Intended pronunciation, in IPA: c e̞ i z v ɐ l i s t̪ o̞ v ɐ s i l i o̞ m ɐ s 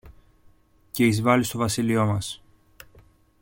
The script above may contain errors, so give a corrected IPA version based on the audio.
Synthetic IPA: c e̞ i z v ɐ l i s t̪ o̞ v ɐ s i l i o̞ m ɐ s